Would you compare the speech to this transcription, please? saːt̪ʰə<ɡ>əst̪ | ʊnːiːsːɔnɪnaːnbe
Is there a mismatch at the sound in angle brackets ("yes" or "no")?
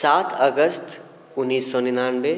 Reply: no